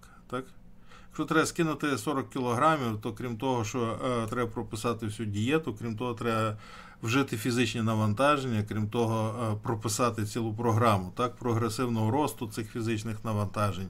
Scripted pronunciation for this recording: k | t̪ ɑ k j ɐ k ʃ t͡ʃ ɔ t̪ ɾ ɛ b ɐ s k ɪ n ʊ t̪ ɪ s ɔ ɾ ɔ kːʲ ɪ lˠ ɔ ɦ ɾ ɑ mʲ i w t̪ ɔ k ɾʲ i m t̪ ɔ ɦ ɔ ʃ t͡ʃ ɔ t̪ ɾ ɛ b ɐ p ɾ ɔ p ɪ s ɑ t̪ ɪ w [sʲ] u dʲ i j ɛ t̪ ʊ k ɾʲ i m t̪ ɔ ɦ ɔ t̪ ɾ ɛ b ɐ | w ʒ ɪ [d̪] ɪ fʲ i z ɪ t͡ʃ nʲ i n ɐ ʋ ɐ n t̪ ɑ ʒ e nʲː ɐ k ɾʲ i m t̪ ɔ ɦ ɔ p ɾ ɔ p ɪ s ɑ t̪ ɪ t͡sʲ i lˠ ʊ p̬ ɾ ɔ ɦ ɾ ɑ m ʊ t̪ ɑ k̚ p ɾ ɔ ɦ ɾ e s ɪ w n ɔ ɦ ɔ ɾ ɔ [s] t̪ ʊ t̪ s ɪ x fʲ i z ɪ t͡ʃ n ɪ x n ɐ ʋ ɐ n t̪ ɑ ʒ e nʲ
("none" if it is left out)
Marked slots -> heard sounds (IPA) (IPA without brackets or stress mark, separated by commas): sʲ, t̪, s